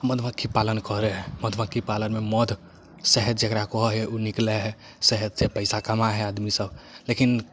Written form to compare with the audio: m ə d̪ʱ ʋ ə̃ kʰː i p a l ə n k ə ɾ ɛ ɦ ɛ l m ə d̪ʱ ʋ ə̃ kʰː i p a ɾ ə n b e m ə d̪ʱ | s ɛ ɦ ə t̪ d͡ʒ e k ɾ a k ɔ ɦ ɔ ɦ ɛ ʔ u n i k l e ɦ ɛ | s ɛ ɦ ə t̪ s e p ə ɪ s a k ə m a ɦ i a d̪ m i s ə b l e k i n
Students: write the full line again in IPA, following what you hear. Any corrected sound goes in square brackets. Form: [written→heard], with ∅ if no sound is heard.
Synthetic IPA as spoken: m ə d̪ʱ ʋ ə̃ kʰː i p a l ə n k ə ɾ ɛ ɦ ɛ [l→∅] m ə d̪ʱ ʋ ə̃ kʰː i p a [ɾ→l] ə n [b→m] e m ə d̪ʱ | s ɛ ɦ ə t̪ d͡ʒ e k ɾ a k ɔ ɦ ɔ ɦ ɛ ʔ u n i k l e ɦ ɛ | s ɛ ɦ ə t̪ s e p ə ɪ s a k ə m a ɦ [i→ɛ] a d̪ m i s ə b l e k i n